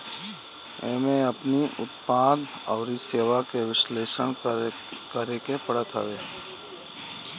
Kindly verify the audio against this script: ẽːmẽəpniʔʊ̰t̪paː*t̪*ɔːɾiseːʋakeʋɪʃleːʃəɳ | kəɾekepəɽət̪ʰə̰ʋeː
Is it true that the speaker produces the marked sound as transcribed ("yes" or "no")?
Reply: no